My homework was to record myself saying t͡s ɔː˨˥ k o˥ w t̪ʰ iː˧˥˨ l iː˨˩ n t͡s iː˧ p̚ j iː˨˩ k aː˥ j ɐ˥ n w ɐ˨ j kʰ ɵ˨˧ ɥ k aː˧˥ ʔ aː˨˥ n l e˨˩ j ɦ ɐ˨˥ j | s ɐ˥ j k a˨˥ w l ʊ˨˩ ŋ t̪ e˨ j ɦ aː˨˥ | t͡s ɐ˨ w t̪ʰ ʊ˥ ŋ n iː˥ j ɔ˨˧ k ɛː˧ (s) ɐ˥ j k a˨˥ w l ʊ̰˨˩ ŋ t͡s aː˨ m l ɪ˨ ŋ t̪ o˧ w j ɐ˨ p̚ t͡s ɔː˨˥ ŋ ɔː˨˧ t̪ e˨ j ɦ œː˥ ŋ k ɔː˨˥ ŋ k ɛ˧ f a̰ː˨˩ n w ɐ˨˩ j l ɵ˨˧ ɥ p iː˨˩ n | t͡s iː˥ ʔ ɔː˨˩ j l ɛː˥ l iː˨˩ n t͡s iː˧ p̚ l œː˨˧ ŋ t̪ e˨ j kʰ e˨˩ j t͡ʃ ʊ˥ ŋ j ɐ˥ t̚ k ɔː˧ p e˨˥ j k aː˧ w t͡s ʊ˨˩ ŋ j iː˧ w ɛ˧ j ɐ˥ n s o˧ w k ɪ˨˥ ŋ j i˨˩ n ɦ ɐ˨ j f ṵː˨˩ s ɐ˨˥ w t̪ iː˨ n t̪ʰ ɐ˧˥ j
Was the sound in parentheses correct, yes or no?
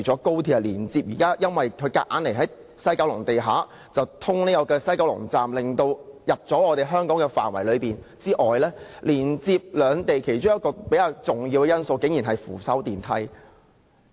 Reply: yes